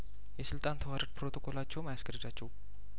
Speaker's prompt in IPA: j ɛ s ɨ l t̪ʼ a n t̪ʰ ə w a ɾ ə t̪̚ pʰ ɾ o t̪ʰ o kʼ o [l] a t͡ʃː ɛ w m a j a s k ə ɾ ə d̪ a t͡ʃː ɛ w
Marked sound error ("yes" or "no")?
no